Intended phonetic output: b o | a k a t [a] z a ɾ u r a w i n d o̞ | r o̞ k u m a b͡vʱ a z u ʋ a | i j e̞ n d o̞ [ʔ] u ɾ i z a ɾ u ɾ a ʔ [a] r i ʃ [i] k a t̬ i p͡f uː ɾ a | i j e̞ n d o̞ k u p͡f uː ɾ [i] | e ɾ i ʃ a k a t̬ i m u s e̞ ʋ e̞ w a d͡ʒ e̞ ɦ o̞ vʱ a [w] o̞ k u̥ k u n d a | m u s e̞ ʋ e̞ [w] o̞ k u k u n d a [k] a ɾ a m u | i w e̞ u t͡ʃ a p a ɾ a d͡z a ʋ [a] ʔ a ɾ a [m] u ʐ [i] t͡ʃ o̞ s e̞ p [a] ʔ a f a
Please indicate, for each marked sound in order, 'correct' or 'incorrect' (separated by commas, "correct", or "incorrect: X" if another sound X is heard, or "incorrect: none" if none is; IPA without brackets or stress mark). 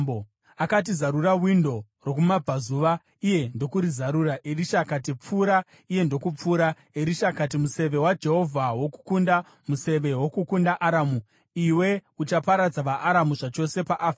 incorrect: i, incorrect: k, incorrect: e, incorrect: a, incorrect: a, correct, correct, incorrect: ʔ, correct, correct, incorrect: a, correct